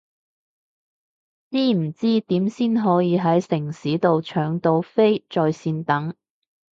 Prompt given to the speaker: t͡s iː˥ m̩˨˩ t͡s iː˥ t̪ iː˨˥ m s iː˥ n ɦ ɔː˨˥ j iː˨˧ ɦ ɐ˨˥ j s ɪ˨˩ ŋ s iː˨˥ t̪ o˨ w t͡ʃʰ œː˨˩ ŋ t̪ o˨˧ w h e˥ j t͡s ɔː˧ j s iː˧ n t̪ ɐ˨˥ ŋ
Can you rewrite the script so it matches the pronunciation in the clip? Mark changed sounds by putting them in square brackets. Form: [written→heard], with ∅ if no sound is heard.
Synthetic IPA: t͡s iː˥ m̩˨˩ t͡s iː˥ t̪ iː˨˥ m s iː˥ n ɦ ɔː˨˥ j iː˨˧ ɦ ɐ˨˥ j s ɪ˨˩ ŋ s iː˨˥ t̪ o˨ w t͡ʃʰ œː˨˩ ŋ t̪ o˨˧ w [h→f] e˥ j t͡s ɔː˧ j s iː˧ n t̪ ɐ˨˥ ŋ